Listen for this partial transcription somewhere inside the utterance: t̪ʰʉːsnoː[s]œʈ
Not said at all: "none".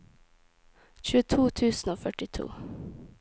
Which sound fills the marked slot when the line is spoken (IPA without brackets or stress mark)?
f